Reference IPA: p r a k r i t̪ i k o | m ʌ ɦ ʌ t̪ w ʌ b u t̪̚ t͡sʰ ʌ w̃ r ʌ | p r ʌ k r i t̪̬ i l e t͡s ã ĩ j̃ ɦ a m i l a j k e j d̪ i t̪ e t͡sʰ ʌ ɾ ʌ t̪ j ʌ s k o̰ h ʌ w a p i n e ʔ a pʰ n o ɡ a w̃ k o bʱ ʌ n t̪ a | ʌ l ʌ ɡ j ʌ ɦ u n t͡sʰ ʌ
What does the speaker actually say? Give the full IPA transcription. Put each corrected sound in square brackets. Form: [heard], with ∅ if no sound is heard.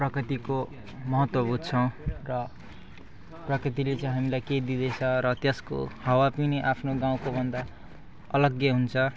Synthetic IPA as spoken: p r [ʌ] k r i t̪ i k o | m ʌ ɦ ʌ t̪ w ʌ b u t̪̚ t͡sʰ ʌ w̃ r ʌ | p r ʌ k r i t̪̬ i l e t͡s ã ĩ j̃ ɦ a m i l a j k e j d̪ i [d̪] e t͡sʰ ʌ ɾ ʌ t̪ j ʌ s k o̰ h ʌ w a p i n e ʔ a pʰ n o ɡ a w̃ k o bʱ ʌ n [d̪] a | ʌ l ʌ ɡ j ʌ ɦ u n t͡sʰ ʌ